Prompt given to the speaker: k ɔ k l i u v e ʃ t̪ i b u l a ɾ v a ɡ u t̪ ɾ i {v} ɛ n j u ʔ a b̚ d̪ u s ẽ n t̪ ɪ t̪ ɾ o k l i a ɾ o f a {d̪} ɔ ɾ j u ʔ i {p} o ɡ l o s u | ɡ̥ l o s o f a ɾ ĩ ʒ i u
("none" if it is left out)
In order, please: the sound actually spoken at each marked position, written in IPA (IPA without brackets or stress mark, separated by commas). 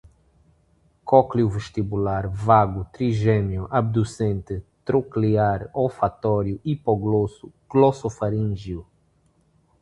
ʒ, t̪, p